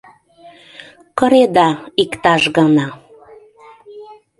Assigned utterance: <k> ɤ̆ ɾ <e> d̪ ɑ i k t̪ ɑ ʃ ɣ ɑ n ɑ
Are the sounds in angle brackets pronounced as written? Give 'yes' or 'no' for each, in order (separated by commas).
yes, yes